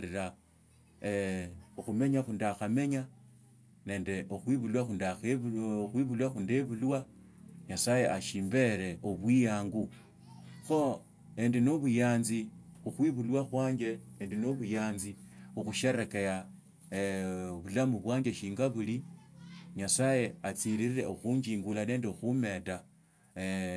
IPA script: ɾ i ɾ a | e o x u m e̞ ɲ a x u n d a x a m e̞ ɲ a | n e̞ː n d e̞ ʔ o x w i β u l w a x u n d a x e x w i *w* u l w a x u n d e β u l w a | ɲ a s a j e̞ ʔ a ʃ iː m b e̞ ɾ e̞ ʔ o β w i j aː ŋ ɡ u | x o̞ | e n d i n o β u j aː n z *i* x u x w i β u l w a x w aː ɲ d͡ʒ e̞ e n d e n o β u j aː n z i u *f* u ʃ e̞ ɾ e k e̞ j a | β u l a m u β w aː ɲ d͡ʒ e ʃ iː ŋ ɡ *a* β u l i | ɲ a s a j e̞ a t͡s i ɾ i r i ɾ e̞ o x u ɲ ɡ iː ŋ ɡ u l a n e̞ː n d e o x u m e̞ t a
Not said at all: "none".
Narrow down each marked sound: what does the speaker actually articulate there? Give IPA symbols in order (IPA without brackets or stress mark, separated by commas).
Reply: β, i, x, a